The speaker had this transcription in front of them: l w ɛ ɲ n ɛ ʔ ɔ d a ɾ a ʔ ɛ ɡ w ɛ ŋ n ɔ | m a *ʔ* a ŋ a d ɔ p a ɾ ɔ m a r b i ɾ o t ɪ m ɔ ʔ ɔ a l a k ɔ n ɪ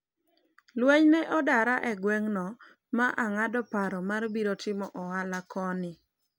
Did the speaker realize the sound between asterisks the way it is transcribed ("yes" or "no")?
yes